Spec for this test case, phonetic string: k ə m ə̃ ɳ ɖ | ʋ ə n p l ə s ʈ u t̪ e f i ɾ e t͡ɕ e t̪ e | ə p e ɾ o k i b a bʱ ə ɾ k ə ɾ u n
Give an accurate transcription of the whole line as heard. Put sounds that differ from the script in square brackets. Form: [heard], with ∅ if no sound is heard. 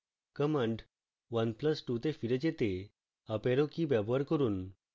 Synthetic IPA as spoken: k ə m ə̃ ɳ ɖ | ʋ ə n p l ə s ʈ u t̪ e f i ɾ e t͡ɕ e t̪ e | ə p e ɾ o k i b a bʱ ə ɾ k ə ɾ [uː] n